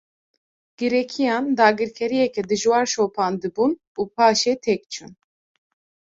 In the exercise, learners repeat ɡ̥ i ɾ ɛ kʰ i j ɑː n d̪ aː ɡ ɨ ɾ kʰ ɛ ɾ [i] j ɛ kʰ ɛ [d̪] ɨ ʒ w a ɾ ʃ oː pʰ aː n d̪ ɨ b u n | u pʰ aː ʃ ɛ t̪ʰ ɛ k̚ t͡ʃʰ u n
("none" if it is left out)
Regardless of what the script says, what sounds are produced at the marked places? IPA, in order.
i, d̪

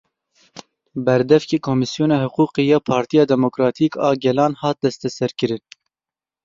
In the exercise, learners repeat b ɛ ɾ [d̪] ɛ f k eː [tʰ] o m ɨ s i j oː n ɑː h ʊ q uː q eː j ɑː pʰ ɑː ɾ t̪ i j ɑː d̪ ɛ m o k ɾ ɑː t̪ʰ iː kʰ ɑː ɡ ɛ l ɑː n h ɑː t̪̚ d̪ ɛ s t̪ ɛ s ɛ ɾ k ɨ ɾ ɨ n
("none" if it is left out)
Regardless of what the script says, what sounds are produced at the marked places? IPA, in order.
d̪, kʰ

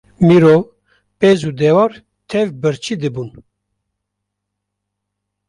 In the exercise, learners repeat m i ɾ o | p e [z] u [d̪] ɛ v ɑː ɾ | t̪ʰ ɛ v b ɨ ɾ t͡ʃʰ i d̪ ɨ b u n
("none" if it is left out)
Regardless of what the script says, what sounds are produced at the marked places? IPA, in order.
z, d̪

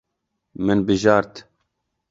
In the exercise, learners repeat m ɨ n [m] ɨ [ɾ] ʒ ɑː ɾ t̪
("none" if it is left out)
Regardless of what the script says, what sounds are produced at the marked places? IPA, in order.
b, none

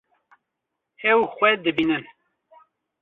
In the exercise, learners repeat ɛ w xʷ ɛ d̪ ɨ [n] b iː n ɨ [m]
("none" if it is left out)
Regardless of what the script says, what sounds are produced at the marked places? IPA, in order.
none, n

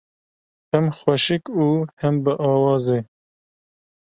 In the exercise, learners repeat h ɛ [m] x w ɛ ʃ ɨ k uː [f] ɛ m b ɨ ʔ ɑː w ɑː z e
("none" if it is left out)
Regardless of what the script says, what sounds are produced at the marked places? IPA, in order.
m, h

